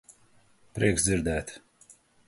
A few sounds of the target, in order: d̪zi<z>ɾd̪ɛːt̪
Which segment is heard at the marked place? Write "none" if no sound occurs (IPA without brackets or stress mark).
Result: none